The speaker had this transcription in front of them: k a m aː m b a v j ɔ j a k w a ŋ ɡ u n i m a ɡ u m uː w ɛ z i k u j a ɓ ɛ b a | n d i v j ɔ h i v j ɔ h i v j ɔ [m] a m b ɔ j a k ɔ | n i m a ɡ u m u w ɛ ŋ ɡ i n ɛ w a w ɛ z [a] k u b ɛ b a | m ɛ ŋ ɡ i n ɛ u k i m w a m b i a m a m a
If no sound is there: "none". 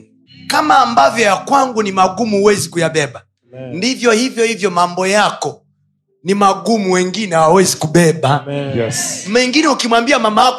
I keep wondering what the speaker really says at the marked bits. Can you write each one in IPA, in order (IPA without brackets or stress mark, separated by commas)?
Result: m, i